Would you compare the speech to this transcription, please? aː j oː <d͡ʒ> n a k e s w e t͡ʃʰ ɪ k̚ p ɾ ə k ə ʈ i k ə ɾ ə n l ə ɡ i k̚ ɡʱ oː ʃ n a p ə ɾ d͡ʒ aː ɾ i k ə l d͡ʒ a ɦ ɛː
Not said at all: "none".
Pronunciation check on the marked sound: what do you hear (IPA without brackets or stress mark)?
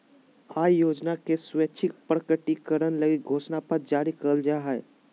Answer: d͡ʒ